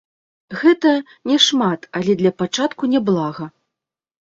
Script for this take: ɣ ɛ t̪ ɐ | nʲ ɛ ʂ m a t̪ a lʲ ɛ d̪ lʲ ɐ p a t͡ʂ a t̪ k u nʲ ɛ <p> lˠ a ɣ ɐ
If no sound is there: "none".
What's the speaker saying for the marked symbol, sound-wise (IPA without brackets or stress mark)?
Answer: b